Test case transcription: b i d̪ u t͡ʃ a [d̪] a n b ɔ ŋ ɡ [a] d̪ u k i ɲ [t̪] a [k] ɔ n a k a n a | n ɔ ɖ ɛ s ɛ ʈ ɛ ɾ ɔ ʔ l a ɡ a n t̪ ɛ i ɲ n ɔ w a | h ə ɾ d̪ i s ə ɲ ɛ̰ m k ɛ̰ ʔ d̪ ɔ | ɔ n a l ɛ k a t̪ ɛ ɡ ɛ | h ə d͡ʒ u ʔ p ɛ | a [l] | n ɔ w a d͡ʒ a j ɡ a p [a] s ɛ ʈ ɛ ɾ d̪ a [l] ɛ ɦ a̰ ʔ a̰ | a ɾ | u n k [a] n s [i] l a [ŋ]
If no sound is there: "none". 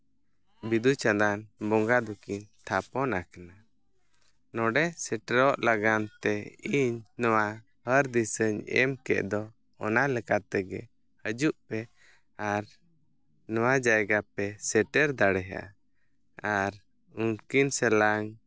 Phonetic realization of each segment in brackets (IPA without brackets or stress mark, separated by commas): d̪, a, t̪ʰ, p, ɾ, ɛ, ɽ, i, ɛ, ŋ